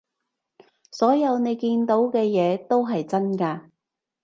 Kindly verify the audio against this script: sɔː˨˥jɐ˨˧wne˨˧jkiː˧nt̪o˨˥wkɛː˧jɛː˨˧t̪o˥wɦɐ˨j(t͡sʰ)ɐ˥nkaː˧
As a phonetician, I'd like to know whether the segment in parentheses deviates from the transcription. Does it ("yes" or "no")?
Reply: yes